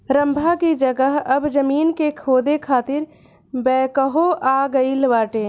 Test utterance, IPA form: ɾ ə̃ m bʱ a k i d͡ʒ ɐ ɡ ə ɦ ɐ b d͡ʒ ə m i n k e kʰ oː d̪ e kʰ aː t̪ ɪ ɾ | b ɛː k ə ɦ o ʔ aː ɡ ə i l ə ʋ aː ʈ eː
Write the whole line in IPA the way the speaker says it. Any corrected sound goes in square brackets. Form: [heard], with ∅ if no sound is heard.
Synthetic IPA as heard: ɾ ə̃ m bʱ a k i d͡ʒ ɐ ɡ ə ɦ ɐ b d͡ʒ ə m [iː] n k e kʰ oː d̪ e kʰ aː t̪ ɪ ɾ | b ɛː k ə ɦ o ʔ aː ɡ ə i l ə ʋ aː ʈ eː